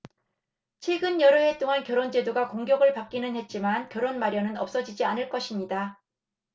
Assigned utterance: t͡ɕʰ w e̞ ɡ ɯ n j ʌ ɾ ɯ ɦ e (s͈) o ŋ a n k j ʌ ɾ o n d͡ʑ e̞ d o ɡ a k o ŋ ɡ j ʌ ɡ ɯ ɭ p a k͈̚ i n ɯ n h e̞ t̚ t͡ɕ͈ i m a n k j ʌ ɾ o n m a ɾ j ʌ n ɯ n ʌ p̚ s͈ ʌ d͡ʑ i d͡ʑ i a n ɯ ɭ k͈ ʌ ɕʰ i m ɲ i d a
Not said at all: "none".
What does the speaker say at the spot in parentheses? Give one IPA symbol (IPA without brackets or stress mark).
t͈